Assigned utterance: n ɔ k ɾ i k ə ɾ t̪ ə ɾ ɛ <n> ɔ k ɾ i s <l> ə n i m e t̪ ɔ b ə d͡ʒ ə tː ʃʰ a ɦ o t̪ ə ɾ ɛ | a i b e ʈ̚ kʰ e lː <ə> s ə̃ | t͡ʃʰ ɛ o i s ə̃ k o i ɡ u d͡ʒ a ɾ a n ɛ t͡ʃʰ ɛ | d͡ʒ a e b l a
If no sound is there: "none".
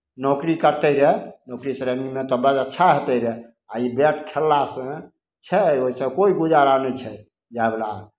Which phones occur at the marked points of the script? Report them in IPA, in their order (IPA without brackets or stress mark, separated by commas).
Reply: n, ɾ, a